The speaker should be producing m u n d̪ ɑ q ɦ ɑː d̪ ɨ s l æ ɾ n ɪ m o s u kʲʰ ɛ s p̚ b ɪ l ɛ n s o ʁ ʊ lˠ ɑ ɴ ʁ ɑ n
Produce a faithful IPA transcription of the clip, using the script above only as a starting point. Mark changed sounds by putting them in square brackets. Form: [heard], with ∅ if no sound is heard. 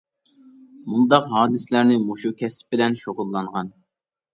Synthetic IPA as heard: m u n d̪ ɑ q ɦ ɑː d̪ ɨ s l æ ɾ n ɪ m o [ʃ] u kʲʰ ɛ s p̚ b ɪ l ɛ n [ʃ] o ʁ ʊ [lˠː] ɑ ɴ ʁ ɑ n